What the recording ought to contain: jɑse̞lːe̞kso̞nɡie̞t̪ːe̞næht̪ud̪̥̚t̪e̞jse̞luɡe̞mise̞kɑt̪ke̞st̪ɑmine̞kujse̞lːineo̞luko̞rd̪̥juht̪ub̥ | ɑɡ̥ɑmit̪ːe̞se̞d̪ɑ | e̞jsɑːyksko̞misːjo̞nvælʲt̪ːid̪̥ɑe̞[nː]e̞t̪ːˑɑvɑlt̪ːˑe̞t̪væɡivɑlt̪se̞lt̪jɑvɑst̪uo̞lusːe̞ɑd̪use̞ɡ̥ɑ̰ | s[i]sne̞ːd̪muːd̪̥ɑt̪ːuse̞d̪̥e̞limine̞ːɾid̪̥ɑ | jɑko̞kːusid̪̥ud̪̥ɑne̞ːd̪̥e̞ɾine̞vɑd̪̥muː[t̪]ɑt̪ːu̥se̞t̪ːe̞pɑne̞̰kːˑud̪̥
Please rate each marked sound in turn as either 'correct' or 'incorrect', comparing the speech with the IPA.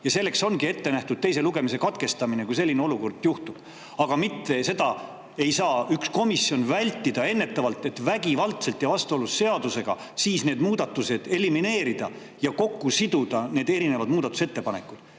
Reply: correct, incorrect: iː, incorrect: d̪

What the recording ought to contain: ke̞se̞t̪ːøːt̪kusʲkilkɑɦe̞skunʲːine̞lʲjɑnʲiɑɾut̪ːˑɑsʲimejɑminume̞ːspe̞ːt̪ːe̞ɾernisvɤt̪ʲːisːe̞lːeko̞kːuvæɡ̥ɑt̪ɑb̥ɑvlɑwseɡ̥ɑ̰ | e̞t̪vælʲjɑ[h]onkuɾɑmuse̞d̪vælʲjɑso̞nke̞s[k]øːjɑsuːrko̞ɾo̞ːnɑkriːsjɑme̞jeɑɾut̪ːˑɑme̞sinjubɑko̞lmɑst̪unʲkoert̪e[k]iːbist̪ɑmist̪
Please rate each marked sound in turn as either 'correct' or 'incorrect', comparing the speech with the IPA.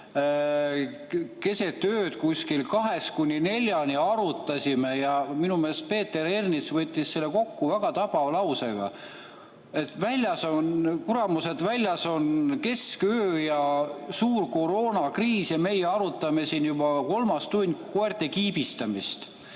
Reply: incorrect: s, correct, correct

